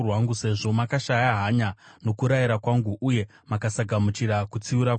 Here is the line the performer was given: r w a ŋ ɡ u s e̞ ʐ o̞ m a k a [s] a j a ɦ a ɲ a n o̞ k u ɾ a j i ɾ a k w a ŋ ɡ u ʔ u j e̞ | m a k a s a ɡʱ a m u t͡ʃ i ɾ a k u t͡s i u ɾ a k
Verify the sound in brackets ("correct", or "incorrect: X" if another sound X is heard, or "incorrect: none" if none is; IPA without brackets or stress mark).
incorrect: ʃ